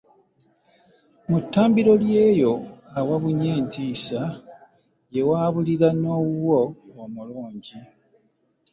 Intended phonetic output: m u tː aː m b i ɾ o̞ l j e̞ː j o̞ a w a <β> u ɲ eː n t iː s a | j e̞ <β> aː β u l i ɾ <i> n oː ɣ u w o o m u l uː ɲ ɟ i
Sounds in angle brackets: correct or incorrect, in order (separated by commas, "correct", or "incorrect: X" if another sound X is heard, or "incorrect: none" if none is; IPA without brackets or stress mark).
correct, incorrect: w, incorrect: a